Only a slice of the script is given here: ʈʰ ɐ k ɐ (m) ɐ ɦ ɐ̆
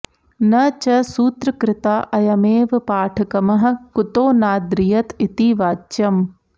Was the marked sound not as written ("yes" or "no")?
no